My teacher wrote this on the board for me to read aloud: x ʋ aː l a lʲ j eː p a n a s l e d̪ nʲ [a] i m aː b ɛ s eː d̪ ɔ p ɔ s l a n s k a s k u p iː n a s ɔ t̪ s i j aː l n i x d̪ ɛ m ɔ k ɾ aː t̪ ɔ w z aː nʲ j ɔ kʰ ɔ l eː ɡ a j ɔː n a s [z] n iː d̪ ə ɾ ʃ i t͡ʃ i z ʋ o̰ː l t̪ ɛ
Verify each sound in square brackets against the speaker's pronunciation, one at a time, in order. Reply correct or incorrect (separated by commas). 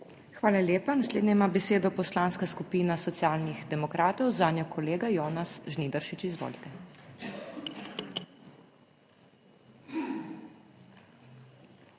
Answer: incorrect, incorrect